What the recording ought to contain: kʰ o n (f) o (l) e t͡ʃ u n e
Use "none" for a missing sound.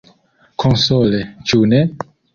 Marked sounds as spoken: s, l

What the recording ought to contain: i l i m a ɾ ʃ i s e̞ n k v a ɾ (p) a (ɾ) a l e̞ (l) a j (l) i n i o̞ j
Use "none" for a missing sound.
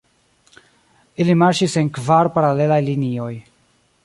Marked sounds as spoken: p, ɾ, l, l

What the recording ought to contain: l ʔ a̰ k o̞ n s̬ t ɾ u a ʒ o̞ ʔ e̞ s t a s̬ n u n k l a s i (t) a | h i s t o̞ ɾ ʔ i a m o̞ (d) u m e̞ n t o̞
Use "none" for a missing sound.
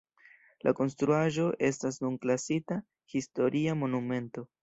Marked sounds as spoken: t, n

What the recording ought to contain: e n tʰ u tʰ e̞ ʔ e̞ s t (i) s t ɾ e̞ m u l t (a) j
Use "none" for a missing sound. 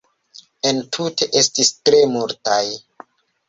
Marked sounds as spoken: i, a

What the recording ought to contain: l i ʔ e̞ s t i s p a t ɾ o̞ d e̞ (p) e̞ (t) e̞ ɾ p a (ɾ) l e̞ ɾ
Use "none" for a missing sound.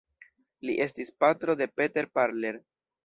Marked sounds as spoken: p, t, ɾ

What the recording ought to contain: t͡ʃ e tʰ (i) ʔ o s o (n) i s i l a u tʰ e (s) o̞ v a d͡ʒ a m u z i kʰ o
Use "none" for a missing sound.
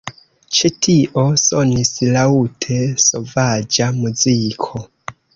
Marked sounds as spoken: i, n, s

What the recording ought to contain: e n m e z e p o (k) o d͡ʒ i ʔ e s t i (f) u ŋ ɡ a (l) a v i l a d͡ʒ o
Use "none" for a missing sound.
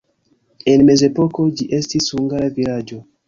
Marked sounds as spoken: k, s, l

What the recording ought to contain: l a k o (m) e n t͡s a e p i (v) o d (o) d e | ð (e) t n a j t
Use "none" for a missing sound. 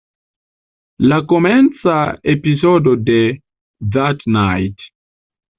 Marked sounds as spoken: m, z, o, a

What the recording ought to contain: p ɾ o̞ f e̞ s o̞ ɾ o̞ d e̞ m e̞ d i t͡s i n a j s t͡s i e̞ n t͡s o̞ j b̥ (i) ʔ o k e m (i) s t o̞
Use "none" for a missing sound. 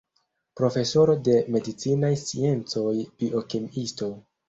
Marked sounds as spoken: i, i

